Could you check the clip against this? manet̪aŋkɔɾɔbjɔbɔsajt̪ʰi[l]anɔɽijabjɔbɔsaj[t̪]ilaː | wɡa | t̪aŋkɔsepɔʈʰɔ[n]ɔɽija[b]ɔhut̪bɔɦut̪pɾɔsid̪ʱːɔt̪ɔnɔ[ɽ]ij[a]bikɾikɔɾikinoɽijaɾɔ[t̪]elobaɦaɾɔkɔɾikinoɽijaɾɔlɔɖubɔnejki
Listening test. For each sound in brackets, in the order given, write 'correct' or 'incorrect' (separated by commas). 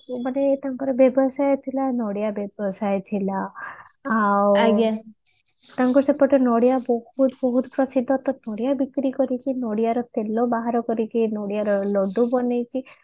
correct, incorrect, correct, correct, correct, correct, correct